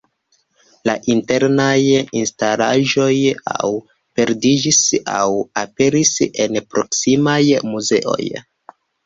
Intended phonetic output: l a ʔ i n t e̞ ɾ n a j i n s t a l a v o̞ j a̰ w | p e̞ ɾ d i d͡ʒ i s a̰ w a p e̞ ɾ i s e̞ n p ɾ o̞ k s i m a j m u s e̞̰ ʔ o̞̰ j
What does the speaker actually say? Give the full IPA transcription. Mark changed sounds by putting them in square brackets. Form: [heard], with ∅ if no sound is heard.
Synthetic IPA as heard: l a ʔ i n t e̞ ɾ n a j i n s t a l a [ʒ] o̞ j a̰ w | p e̞ ɾ d i d͡ʒ i s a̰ w a p e̞ ɾ i s e̞ n p ɾ o̞ k s i m a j m u [z] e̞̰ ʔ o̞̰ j

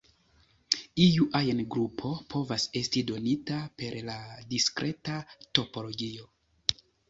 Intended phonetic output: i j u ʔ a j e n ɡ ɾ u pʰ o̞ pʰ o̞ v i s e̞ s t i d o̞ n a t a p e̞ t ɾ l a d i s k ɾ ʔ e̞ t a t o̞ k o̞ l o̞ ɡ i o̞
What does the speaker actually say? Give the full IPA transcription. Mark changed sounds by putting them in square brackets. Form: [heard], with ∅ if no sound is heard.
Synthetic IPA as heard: i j u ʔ a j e n ɡ ɾ u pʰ o̞ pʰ o̞ v [a] s e̞ s t i d o̞ n [i] t a p e̞ [∅] ɾ l a d i s k ɾ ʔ e̞ t a t o̞ [p] o̞ l o̞ ɡ i o̞

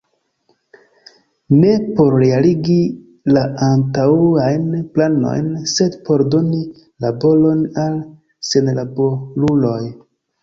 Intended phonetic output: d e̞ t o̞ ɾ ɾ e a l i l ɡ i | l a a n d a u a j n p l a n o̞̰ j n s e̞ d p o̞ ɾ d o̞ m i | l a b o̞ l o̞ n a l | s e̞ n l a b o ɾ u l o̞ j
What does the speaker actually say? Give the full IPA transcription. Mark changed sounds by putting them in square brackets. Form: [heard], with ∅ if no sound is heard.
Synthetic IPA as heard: [n] e̞ [p] o̞ ɾ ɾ e a l i [∅] ɡ i | l a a n [t] a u a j n p l a n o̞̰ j n s e̞ d p o̞ ɾ d o̞ [n] i | l a b o̞ l o̞ n a l | s e̞ n l a b o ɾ u l o̞ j

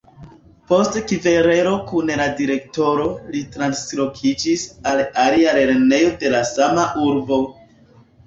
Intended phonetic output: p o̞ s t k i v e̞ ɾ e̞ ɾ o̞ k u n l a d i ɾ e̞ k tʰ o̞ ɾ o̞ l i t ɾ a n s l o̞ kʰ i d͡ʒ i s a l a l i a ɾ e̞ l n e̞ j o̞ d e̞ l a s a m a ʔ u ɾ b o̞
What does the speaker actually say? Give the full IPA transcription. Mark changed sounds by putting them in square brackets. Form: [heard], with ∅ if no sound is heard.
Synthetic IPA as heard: p o̞ s t k i v e̞ ɾ e̞ ɾ o̞ k u n l a d i ɾ e̞ k [t] o̞ ɾ o̞ l i t ɾ a n s l o̞ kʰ i d͡ʒ i s a l a l i a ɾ e̞ [ɾ] n e̞ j o̞ d e̞ l a s a m a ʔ u ɾ b o̞

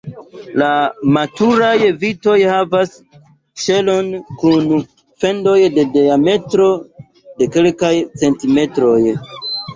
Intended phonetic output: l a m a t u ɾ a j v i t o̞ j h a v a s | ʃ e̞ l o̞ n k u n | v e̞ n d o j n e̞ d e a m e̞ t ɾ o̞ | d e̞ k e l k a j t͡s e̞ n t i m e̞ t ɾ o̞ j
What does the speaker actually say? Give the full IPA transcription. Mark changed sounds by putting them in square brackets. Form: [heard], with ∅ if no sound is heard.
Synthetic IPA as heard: l a m a t u ɾ a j v i t o̞ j h a v a s | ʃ e̞ l o̞ n k u n | [f] e̞ n d o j [d] e̞ d e a m e̞ t ɾ o̞ | d e̞ k e l k a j t͡s e̞ n t i m e̞ t ɾ o̞ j

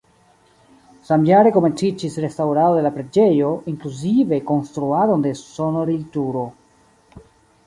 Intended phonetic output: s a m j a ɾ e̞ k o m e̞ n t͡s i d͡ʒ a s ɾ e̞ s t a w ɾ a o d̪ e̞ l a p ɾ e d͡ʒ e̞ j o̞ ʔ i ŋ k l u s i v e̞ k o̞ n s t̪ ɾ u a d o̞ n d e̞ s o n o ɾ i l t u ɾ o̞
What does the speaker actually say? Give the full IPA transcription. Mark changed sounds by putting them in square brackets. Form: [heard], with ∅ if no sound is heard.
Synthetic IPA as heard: s a m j a ɾ e̞ k o m e̞ n t͡s i d͡ʒ [i] s ɾ e̞ s t a w ɾ a o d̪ e̞ l a p ɾ e d͡ʒ e̞ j o̞ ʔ i ŋ k l u [z] i v e̞ k o̞ n s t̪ ɾ u a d o̞ n d e̞ s o n o ɾ i l t u ɾ o̞

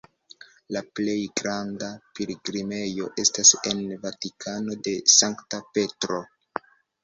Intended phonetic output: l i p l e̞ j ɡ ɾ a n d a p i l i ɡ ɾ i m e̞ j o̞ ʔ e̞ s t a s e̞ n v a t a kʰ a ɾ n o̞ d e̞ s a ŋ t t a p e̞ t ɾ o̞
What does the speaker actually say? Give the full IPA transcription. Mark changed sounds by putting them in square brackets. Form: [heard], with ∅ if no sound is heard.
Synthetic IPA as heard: l [a] p l e̞ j ɡ ɾ a n d a p i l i ɡ ɾ i m e̞ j o̞ ʔ e̞ s t a s e̞ n v a t [i] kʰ a [∅] n o̞ d e̞ s a ŋ [k] t a p e̞ t ɾ o̞

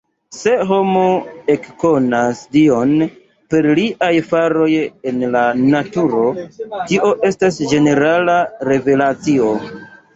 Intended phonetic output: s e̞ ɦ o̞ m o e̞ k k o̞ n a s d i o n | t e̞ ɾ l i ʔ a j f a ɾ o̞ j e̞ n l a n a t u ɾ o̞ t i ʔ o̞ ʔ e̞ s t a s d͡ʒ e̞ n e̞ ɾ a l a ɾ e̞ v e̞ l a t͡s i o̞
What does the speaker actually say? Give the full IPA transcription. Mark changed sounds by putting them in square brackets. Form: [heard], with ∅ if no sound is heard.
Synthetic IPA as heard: s e̞ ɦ o̞ m o e̞ k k o̞ n a s d i o n | [p] e̞ ɾ l i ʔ a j f a ɾ o̞ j e̞ n l a n a t u ɾ o̞ t i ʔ o̞ ʔ e̞ s t a s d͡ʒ e̞ n e̞ ɾ a l a ɾ e̞ v e̞ l a t͡s i o̞

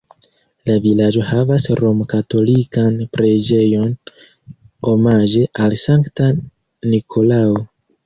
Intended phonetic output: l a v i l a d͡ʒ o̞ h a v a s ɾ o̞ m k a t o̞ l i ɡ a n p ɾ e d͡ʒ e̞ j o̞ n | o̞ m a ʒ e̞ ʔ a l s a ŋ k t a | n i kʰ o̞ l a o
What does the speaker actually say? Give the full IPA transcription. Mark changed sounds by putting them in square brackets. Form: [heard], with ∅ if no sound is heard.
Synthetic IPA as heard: l a v i l a d͡ʒ o̞ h a v a s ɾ o̞ m k a t o̞ l i [k] a n p ɾ e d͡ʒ e̞ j o̞ n | o̞ m a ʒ e̞ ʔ a l s a ŋ k t a | n i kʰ o̞ l a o

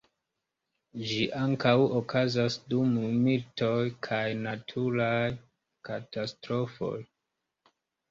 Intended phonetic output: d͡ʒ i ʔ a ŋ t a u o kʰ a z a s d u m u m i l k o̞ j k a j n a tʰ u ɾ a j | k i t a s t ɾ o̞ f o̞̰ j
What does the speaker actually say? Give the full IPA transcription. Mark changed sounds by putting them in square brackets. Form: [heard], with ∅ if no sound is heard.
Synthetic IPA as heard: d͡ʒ i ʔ a ŋ [k] a [w] o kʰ a z a s d u m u m i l [t] o̞ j [kʰ] a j n a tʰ u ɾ a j | k [a] t a s t ɾ o̞ f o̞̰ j

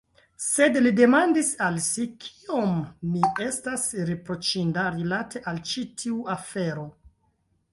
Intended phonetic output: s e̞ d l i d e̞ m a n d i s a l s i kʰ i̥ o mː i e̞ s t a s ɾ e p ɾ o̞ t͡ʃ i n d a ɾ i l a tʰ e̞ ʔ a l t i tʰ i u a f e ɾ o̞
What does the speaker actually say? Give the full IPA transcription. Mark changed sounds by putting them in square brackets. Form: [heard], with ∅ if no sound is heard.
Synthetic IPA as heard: s e̞ d l i d e̞ m a n d i s a l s i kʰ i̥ o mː i e̞ s t a s ɾ e p ɾ o̞ t͡ʃ i n d a ɾ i l a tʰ e̞ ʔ a l [t͡ʃ] i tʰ i u a f e ɾ o̞

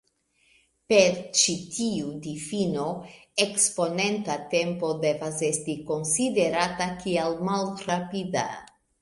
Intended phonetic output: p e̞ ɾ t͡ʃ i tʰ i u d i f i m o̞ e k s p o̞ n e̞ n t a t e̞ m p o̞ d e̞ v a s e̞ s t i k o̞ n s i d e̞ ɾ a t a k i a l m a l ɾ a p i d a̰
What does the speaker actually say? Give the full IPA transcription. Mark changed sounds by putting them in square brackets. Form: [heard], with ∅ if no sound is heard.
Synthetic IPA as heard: p e̞ ɾ t͡ʃ i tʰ i u d i f i [n] o̞ e k s p o̞ n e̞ n t a t e̞ m p o̞ d e̞ v a s e̞ s t i k o̞ n s i d e̞ ɾ a t a k i a l m a l ɾ a p i d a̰

